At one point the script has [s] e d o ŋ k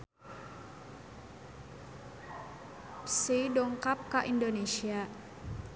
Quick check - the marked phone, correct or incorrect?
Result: correct